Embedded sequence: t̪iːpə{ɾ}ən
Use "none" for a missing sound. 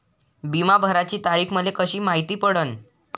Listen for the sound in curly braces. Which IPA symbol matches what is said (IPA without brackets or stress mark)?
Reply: ɽ